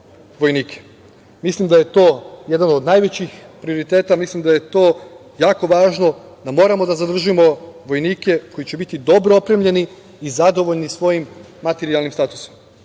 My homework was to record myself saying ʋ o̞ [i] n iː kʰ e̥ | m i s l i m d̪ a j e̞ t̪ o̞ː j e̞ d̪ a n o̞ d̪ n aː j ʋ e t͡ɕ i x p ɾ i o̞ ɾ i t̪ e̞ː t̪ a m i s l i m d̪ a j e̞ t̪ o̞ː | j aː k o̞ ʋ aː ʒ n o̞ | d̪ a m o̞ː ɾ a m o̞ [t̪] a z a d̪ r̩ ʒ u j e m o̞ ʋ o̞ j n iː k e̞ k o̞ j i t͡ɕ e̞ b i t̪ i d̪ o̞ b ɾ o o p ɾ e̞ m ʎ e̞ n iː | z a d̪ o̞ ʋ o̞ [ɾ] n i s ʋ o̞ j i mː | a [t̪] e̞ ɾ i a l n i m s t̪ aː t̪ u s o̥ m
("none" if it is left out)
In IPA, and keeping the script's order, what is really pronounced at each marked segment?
j, d̪, ʎ, t̪

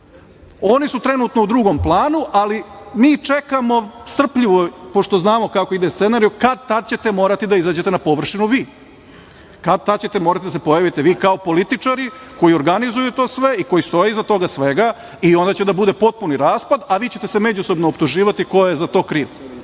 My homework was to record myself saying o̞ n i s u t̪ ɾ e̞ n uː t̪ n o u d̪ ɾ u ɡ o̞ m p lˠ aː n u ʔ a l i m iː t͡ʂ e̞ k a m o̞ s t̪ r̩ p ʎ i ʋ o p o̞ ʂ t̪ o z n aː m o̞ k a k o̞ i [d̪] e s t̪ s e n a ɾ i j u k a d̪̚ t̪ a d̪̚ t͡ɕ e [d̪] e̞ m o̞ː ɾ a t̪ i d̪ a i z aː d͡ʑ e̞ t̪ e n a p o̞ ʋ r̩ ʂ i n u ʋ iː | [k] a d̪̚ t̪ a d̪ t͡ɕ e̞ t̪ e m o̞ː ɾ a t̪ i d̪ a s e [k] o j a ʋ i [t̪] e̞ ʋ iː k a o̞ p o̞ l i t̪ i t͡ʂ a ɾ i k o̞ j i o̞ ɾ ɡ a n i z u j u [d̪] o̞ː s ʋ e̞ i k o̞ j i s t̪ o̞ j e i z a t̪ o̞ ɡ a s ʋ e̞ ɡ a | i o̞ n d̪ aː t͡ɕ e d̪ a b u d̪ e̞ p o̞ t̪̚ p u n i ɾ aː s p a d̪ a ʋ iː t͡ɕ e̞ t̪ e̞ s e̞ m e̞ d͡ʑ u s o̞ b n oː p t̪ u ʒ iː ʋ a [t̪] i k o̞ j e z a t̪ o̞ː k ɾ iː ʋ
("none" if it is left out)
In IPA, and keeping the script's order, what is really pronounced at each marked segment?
d̪, t̪, k, p, t̪, t̪, t̪

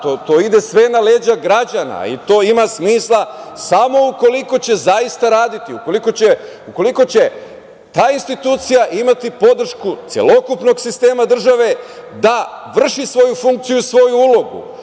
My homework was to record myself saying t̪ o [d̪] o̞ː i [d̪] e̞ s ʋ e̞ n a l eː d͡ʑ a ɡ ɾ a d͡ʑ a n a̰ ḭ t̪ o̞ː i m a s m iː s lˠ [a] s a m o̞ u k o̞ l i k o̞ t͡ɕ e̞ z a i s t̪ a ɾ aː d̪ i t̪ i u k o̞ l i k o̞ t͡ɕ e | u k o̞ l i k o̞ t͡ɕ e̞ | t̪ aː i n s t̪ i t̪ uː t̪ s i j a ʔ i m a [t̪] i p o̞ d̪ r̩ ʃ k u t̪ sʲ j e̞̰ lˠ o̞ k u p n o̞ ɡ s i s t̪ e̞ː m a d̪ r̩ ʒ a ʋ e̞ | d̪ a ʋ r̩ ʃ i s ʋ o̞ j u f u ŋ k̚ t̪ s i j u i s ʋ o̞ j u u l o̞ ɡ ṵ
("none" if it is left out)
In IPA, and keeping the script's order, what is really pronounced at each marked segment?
t̪, d̪, a, t̪

